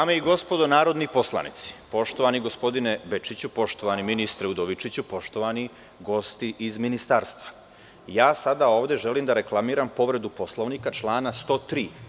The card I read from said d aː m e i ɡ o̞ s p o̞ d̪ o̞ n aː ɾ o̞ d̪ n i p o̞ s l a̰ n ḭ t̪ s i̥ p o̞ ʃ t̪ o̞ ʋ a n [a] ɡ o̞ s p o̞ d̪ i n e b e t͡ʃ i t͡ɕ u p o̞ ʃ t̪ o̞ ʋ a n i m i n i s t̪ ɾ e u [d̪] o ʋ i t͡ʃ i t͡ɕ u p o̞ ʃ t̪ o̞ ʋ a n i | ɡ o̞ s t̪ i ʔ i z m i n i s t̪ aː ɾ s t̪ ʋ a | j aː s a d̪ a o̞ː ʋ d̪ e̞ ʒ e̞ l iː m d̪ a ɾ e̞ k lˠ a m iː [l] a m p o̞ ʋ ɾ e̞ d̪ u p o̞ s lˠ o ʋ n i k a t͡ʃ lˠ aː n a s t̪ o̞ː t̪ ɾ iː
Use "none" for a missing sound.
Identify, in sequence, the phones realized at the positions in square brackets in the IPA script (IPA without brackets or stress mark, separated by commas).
i, d̪, ɾ